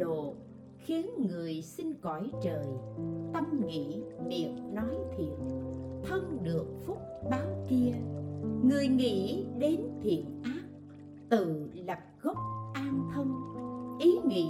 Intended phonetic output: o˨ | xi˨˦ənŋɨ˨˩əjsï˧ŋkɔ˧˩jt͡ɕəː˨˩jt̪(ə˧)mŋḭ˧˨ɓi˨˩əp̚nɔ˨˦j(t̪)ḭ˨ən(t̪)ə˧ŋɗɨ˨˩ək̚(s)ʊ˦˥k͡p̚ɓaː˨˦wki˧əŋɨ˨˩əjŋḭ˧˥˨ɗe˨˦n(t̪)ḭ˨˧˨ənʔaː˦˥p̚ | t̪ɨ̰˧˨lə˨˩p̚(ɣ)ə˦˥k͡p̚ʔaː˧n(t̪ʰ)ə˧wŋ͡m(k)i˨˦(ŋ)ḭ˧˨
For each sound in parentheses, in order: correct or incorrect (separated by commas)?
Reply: correct, incorrect, incorrect, incorrect, incorrect, correct, correct, incorrect, correct